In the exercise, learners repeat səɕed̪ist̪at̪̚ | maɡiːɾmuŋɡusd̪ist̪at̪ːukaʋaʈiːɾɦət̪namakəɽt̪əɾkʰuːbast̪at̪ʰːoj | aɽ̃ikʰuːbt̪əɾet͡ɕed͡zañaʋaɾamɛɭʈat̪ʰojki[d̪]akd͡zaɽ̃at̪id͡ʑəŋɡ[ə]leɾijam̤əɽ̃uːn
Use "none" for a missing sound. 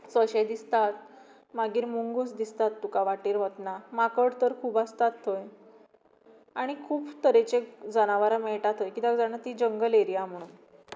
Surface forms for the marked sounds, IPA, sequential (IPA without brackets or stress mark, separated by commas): t̪, ə